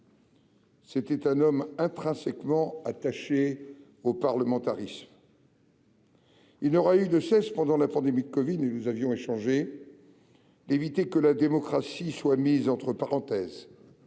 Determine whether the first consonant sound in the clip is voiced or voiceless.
voiceless